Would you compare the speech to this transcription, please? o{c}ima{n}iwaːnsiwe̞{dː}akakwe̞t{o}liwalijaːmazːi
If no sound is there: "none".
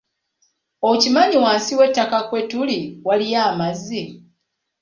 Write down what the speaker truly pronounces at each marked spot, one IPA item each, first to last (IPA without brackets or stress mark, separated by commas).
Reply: c, ɲ, tː, u